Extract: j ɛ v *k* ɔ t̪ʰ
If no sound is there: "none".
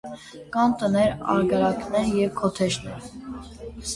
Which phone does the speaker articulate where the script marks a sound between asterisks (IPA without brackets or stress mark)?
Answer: kʰ